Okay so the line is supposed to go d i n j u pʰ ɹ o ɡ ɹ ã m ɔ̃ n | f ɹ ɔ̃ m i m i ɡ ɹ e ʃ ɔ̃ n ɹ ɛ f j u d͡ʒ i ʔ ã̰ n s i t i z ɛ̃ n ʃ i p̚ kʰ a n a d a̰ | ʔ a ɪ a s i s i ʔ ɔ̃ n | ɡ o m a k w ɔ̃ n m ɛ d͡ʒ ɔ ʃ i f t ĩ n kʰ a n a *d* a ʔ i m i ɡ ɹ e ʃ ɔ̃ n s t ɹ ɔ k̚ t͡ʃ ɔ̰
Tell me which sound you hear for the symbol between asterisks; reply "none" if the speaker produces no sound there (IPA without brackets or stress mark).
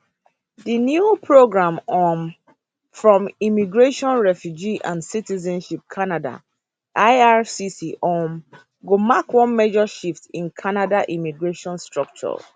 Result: d